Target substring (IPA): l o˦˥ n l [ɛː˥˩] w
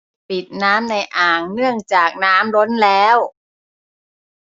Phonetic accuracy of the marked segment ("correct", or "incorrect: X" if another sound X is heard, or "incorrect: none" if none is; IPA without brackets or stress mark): incorrect: ɛː˦˥